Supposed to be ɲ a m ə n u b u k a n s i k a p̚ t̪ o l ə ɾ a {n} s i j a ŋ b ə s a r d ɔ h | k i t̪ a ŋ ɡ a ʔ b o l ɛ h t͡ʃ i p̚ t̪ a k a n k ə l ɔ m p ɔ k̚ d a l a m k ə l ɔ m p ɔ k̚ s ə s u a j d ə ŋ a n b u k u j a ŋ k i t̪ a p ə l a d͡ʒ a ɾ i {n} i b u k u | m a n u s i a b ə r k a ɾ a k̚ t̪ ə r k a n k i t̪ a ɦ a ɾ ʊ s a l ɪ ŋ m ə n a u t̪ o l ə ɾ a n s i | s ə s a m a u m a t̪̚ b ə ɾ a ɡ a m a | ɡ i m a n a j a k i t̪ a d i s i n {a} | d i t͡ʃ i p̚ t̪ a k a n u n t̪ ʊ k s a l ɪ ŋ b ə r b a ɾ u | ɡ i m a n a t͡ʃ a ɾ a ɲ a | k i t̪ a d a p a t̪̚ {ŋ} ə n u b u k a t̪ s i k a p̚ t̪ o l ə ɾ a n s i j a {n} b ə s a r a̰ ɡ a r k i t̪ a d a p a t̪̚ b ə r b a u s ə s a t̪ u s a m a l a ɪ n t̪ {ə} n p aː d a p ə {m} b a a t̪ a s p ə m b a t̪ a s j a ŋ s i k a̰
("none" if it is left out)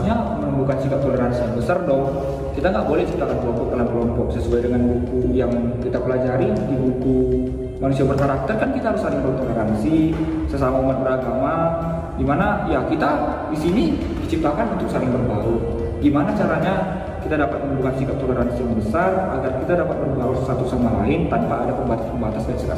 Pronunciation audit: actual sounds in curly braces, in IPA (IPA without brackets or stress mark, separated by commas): n, d, i, m, ŋ, a, m